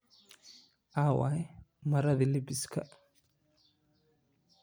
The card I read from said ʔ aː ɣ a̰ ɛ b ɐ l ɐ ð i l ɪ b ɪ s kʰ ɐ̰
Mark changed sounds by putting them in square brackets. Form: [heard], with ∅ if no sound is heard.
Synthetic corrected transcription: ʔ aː [w] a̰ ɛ [m] ɐ [ɾ] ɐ ð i l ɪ b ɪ s kʰ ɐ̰